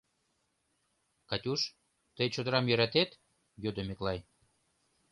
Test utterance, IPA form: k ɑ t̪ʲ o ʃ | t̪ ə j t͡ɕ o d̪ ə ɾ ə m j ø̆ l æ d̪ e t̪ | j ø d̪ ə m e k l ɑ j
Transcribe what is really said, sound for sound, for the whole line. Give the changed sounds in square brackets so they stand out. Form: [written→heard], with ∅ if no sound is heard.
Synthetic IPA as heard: k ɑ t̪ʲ [o→u] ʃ | t̪ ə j t͡ɕ o d̪ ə ɾ [ə→ɑ] m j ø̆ [l→ɾ] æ [d̪→t̪] e t̪ | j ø d̪ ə m e k l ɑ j